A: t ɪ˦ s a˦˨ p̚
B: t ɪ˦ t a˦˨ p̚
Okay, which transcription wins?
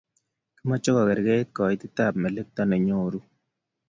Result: B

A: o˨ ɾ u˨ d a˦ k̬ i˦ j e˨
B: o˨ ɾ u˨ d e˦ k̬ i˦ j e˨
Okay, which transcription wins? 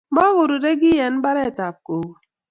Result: B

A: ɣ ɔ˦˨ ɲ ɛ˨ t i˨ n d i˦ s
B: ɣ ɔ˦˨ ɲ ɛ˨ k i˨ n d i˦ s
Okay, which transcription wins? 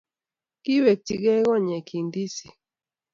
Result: B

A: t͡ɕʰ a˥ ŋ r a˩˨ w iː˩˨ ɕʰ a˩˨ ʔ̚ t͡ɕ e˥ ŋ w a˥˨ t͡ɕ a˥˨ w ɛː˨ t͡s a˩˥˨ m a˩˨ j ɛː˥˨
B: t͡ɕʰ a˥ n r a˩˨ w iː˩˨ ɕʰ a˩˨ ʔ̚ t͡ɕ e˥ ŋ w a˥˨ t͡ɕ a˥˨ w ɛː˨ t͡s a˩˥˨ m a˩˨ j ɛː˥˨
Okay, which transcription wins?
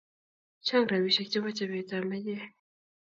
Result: A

